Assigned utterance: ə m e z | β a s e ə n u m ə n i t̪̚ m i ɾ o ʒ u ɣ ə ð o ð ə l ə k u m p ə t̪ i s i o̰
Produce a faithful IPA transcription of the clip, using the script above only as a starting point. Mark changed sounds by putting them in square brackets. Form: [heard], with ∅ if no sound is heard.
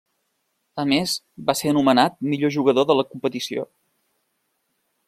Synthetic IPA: ə m e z | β a s e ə n u m ə n [a] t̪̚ m i [ʎ] o ʒ u ɣ ə ð o ð ə l ə k u m p ə t̪ i s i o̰